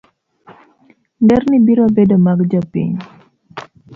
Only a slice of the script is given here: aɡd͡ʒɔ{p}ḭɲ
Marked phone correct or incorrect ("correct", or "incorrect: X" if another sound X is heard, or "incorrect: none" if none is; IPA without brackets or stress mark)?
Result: correct